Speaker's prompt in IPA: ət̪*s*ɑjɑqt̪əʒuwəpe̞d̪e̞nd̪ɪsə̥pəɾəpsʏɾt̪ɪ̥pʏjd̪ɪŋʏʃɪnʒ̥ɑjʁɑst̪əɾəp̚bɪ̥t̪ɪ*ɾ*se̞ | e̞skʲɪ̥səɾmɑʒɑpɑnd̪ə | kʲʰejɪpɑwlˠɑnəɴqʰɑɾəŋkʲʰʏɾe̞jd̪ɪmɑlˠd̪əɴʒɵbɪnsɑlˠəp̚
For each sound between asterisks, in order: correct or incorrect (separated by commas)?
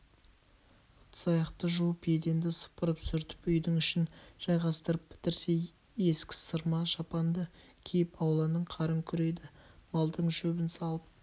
correct, correct